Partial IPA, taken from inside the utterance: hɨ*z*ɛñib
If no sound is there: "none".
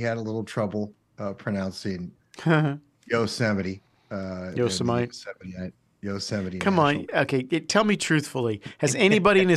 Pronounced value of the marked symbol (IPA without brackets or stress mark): z